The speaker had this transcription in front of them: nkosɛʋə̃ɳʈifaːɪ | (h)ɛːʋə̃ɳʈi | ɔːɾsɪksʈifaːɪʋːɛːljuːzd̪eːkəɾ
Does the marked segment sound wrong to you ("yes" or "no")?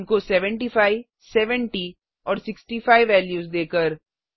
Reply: yes